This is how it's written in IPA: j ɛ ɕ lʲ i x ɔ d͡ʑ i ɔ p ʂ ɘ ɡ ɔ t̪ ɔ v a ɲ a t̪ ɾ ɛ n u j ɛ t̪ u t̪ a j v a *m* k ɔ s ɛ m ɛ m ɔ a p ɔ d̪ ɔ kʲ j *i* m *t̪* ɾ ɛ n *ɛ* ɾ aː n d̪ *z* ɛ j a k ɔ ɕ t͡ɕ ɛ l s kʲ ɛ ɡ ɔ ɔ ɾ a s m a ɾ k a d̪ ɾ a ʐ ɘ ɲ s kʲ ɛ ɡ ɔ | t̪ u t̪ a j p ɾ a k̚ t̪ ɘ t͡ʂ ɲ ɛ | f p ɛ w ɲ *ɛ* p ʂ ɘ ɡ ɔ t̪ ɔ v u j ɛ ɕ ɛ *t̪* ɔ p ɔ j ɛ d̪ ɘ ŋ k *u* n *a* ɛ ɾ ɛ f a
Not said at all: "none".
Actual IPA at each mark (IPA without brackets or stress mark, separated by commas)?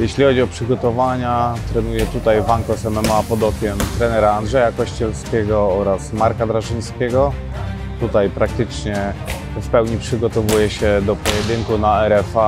ŋ, ɛ, t̪, ɛ, ʐ, i, d̪, u, a